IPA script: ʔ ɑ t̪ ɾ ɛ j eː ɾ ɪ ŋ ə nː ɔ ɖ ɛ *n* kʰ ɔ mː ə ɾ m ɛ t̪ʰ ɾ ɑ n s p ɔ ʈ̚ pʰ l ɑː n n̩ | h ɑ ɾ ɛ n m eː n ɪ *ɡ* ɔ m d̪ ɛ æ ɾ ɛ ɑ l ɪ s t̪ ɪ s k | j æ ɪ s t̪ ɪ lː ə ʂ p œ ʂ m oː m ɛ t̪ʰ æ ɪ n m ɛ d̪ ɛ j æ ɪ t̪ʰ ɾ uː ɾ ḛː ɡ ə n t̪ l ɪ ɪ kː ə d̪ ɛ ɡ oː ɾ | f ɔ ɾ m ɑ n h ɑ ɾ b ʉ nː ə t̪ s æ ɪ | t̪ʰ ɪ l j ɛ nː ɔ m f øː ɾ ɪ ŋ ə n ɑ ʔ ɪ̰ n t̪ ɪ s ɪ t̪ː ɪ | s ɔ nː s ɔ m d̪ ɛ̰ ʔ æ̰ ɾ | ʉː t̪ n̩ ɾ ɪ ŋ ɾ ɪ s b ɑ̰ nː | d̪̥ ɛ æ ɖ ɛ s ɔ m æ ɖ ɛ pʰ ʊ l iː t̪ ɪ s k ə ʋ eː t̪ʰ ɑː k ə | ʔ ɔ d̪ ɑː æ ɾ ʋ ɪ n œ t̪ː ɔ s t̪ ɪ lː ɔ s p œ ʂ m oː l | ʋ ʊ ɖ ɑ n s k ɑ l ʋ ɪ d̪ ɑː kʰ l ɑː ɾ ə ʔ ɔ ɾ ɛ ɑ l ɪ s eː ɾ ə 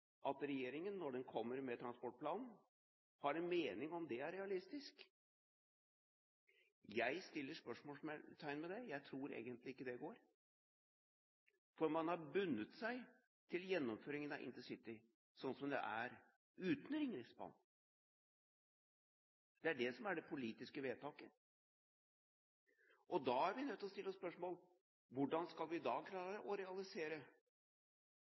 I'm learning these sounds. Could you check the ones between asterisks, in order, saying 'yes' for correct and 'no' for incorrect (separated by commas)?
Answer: yes, no